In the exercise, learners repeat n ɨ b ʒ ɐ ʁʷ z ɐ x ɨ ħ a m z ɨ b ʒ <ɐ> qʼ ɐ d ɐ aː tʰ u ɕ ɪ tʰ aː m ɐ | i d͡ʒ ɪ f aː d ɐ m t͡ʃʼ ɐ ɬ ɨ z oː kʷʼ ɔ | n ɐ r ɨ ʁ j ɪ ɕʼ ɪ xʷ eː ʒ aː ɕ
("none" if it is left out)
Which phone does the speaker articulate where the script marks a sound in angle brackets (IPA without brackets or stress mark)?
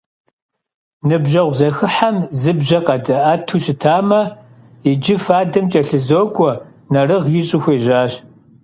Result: ɐ